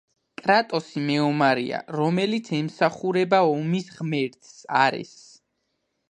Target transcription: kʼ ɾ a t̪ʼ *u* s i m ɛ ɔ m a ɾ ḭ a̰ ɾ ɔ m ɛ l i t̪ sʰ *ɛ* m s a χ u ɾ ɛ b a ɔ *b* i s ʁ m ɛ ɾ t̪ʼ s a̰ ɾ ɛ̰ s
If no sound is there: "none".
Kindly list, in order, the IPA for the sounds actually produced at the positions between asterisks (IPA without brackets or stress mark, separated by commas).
ɔ, ɛ, m